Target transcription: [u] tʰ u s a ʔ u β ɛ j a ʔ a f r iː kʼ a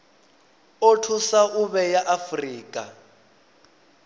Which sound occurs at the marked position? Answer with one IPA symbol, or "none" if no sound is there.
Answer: o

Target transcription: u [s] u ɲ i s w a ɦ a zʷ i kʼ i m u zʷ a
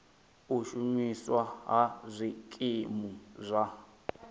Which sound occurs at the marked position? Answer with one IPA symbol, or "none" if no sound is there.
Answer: ʃ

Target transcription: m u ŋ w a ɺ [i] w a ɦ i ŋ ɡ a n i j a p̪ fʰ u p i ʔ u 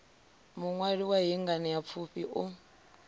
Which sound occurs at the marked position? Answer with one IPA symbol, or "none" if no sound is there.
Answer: i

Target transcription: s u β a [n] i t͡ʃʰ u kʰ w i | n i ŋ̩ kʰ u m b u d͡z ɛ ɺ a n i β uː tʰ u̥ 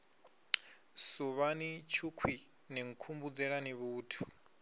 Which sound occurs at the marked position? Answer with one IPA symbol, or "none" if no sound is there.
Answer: n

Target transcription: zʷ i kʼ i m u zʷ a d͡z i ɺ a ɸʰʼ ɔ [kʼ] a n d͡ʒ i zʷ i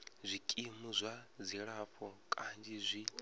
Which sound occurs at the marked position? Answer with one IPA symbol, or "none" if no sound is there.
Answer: kʼ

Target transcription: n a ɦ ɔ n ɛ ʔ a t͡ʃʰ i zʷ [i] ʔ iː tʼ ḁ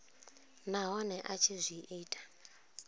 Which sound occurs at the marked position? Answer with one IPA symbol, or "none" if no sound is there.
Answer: i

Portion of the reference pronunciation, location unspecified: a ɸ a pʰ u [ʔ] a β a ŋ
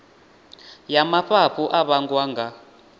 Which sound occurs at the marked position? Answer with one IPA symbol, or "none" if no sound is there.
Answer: ʔ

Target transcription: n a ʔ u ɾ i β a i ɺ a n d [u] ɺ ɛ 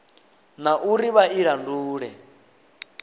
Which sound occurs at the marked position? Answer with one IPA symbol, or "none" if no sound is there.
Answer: uː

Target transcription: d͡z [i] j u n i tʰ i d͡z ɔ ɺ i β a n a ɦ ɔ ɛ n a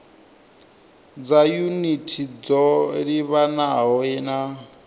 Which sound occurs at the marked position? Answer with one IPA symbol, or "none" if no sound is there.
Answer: a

